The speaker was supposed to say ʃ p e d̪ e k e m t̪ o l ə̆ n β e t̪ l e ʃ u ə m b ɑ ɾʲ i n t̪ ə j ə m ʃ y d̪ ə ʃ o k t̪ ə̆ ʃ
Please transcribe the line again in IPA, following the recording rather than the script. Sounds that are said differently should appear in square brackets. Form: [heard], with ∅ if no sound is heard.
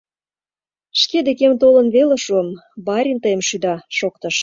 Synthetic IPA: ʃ [k] e d̪ e k e m t̪ o l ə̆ n β e [∅] l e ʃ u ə m b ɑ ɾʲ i n t̪ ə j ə m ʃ y d̪ [ɑ] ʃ o k t̪ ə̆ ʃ